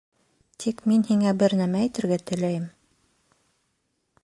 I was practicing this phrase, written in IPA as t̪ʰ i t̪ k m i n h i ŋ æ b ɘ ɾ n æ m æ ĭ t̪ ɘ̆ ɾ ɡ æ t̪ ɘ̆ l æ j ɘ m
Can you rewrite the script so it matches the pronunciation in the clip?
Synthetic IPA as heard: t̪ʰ i k m i n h i ŋ æ b ɘ ɾ n æ m æ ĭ t̪ ɘ̆ ɾ ɡ æ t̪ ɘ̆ l æ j ɘ m